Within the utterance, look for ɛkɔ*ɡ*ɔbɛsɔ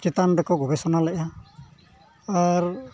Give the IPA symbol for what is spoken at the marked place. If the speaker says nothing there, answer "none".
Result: ɡ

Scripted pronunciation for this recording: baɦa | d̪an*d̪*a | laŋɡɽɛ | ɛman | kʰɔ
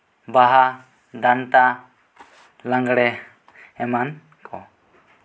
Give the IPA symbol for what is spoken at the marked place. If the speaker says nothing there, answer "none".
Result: t̪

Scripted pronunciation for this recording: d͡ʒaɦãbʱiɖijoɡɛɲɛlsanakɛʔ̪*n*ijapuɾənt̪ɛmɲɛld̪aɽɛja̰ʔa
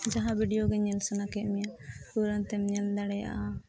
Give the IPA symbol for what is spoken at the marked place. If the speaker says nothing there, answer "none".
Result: m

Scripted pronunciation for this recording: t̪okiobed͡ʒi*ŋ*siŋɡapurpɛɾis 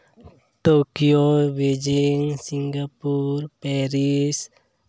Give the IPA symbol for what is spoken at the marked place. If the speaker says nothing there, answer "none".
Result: ŋ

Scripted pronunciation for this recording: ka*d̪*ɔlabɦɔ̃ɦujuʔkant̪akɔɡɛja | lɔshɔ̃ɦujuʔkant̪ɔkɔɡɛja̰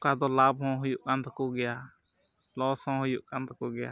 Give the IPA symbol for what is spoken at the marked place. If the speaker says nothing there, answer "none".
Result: d̪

